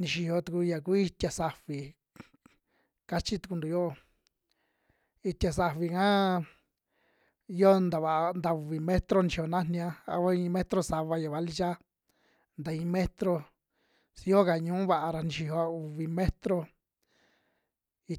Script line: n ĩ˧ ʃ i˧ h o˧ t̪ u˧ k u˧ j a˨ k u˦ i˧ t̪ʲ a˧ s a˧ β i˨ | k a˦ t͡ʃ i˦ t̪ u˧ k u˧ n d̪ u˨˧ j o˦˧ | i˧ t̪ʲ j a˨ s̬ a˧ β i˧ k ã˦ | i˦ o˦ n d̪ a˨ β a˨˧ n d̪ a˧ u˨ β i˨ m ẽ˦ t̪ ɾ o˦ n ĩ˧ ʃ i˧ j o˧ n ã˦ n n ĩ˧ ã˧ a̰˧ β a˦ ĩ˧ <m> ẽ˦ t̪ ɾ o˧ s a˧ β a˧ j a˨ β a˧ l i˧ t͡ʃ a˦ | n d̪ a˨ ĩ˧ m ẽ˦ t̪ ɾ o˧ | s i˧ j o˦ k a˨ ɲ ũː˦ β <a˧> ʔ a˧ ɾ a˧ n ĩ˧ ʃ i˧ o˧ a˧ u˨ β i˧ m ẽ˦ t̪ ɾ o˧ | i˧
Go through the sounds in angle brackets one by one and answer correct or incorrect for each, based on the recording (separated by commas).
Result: correct, correct